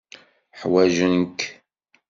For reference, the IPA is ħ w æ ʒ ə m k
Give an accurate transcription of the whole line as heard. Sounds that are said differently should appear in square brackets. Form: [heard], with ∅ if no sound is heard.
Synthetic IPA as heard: ħ w æ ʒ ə [n] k